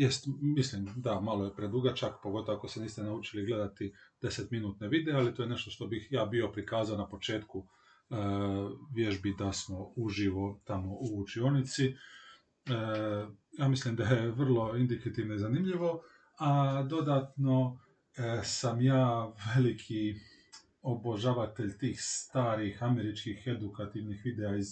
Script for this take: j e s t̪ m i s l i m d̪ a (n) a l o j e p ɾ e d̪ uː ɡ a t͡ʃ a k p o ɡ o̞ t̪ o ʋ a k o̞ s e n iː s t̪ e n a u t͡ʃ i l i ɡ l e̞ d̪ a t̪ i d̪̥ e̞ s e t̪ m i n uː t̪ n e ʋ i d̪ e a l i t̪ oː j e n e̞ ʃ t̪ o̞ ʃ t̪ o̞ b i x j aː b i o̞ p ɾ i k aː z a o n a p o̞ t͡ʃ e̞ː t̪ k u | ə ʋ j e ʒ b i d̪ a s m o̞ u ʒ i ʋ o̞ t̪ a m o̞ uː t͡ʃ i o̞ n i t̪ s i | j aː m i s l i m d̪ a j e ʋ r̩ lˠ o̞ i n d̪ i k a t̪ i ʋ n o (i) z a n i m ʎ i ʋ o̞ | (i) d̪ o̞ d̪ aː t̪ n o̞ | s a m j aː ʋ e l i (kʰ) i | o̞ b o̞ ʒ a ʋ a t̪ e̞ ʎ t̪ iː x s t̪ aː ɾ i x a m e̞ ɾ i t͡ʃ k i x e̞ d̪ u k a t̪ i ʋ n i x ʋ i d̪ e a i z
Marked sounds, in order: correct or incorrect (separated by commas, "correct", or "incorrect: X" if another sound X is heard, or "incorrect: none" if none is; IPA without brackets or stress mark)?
incorrect: m, correct, incorrect: a, correct